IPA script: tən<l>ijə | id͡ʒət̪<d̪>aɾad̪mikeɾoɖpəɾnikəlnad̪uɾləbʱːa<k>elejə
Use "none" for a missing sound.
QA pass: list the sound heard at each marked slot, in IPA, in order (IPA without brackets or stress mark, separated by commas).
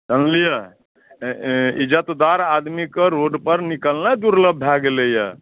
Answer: l, d̪, ɡ